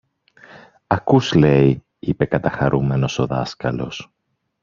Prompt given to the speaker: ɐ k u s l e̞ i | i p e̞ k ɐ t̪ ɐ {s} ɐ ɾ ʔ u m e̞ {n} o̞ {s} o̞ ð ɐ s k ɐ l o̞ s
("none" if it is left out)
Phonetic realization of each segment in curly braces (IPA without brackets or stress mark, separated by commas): x, n, s